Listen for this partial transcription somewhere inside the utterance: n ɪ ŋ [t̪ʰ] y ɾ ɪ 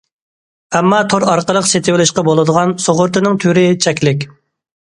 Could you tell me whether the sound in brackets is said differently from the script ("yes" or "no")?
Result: no